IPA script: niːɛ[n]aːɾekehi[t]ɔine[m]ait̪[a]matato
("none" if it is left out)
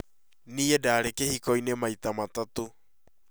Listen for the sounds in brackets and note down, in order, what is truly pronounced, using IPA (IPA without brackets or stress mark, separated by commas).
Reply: d, k, m, a